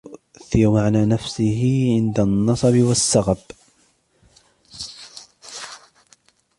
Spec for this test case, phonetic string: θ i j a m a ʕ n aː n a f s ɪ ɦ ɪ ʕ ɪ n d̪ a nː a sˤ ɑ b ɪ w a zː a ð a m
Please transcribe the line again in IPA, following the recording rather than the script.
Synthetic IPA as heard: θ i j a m a ʕ n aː n a f s ɪ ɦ ɪ ʕ ɪ n d̪ a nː ɑ sˤ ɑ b ɪ w a sː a ɣ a b